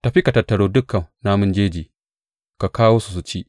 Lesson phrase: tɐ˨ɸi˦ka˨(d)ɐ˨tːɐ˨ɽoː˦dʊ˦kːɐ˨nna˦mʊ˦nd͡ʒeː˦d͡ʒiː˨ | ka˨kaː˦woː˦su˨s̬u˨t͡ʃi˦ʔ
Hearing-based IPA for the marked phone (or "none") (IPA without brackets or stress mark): t